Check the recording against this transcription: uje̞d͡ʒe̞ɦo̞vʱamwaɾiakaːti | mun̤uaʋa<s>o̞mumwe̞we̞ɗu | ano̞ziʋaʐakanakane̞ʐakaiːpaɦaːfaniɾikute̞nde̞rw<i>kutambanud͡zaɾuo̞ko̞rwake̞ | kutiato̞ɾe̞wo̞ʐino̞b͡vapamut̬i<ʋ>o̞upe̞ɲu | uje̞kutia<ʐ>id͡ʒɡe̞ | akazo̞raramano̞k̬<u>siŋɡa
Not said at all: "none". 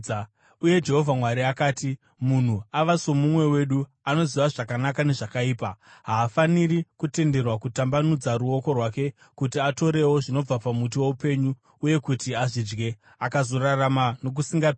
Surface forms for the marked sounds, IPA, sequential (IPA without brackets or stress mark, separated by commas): s, a, w, ʐ, u